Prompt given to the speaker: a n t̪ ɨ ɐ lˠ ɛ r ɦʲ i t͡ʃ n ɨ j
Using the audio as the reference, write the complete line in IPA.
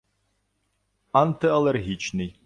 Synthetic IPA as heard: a n t̪ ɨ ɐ lˠ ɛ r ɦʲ i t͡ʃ n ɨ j